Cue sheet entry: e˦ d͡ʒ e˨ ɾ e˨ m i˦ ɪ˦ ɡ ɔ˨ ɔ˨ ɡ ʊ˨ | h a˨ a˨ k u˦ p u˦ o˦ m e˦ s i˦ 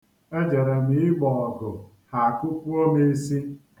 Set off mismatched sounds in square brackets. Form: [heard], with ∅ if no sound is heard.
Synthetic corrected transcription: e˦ d͡ʒ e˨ ɾ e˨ m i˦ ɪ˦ [ɡ͡b] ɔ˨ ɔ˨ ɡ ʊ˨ | h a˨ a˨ k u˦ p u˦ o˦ m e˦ s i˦